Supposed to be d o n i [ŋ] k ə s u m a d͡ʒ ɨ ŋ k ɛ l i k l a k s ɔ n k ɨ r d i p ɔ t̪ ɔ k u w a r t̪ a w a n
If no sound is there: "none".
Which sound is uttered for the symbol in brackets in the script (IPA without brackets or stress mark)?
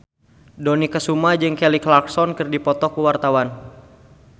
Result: none